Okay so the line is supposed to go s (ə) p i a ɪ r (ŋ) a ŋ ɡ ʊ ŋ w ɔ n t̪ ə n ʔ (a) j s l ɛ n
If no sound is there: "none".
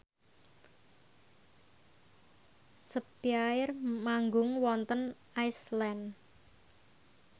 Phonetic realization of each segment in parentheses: ə, m, a

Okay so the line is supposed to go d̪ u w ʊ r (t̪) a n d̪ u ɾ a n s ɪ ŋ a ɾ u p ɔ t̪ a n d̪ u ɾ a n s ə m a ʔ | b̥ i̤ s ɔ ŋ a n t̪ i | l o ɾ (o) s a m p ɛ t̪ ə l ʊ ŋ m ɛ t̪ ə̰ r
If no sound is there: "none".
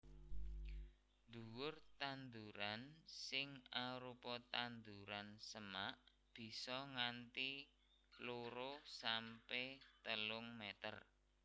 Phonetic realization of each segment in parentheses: t̪, o

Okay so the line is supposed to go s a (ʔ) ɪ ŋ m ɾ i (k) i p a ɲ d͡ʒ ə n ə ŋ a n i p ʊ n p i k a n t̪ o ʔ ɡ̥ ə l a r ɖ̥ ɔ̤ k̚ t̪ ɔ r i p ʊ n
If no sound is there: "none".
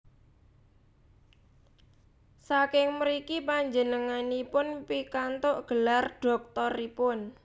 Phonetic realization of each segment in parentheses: k, k

